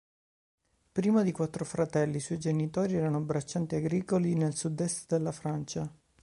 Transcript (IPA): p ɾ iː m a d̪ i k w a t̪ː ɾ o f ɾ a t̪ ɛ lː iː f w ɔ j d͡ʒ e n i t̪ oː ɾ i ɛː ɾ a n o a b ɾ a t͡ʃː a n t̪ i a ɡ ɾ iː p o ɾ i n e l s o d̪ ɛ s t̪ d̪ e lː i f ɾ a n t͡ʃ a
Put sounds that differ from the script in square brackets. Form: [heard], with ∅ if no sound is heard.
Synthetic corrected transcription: p ɾ iː m a d̪ i k w a t̪ː ɾ o f ɾ a t̪ ɛ lː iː [s] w ɔ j d͡ʒ e n i t̪ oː ɾ i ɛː ɾ a n o a b ɾ a t͡ʃː a n t̪ i a ɡ ɾ iː [k] o [l] i n e l s [u] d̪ ɛ s t̪ d̪ e lː [a] f ɾ a n t͡ʃ a